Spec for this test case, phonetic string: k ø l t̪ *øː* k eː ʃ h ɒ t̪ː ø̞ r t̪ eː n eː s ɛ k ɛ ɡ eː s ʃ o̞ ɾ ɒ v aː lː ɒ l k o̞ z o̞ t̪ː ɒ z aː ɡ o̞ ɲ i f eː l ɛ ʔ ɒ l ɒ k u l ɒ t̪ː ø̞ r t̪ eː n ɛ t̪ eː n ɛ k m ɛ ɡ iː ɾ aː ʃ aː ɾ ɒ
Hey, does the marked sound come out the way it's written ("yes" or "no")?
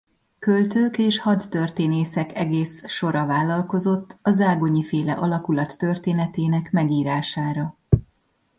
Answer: yes